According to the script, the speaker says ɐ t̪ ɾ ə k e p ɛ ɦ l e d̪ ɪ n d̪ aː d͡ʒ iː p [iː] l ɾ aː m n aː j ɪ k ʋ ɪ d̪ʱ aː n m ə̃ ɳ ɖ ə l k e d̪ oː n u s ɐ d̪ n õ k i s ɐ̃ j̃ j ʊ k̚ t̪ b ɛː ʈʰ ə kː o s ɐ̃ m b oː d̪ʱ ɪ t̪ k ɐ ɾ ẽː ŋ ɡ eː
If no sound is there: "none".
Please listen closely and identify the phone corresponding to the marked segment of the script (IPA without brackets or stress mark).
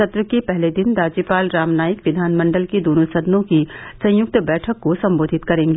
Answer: aː